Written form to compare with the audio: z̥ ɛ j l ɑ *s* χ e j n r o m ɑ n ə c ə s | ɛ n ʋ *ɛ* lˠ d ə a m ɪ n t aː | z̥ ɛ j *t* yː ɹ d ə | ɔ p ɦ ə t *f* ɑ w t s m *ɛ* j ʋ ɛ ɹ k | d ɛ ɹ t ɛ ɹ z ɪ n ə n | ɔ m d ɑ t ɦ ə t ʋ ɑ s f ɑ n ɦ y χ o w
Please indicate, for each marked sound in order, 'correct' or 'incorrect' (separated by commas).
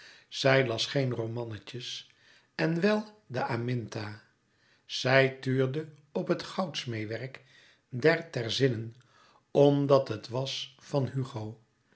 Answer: correct, correct, correct, incorrect, incorrect